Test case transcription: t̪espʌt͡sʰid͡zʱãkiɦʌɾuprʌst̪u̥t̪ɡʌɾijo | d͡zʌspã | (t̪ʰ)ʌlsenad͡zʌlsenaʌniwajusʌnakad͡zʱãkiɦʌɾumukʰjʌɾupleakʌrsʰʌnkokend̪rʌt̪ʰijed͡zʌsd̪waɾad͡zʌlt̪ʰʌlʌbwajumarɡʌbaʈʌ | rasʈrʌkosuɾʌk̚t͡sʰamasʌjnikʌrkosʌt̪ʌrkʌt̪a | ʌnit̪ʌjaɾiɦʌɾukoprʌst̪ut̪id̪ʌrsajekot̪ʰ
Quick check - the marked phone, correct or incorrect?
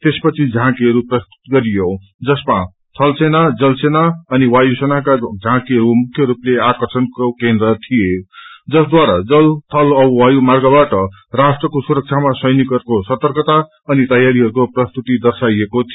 correct